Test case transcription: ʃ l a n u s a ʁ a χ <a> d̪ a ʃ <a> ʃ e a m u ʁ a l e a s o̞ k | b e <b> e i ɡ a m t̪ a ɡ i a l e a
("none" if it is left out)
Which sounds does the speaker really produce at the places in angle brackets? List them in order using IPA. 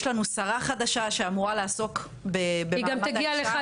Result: a, a, b

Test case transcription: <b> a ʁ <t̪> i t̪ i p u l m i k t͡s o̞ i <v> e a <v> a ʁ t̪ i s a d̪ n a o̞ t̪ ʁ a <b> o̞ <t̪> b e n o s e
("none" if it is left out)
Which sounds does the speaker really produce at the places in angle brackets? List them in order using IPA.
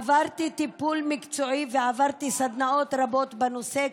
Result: v, t̪, v, v, b, t̪

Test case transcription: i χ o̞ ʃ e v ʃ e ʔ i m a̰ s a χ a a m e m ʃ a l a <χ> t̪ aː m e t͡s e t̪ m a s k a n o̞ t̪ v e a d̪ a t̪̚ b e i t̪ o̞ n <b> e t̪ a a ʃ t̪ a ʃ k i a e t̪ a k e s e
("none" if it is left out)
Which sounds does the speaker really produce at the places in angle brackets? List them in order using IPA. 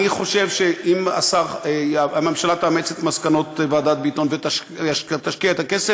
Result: none, v

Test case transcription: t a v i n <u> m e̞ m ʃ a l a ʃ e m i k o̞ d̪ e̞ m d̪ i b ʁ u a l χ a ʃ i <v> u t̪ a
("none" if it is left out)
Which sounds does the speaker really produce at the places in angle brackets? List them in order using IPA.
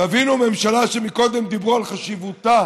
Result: u, v

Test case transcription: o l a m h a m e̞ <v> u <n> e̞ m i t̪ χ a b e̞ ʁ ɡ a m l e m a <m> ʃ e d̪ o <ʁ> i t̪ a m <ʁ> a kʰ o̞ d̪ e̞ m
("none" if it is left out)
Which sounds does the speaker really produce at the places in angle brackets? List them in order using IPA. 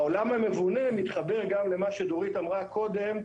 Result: v, n, none, ʁ, ʁ

